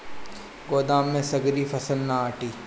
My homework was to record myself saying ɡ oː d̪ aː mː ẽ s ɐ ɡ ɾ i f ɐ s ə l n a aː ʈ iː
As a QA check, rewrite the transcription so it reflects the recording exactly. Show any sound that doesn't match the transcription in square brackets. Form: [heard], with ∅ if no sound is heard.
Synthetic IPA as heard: ɡ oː d̪ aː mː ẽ s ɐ ɡ ɾ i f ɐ s ə l n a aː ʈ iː